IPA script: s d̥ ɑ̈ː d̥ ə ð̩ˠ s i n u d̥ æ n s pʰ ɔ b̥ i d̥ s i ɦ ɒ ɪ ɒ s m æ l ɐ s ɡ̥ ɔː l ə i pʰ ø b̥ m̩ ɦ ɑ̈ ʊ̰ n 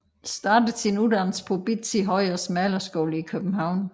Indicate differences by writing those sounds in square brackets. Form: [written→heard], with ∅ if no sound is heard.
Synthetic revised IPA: s d̥ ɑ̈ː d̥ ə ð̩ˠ s i n u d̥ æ n s pʰ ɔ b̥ i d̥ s i ɦ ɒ ɪ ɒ s m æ l ɐ s ɡ̥ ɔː l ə i [pʰ→kʰ] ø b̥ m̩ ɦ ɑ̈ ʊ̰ n